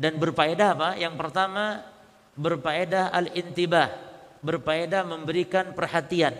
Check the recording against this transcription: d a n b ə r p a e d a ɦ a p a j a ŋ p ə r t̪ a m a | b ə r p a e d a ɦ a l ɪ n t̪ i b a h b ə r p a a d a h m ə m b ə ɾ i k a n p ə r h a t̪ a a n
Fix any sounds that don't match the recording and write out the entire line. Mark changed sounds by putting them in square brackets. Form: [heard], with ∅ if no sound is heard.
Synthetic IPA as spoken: d a n b ə r p a e d a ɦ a p a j a ŋ p ə r t̪ a m a | b ə r p a e d a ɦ a l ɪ n t̪ i b a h b ə r p a [e] d a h m ə m b ə ɾ i k a n p ə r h a t̪ [i] a n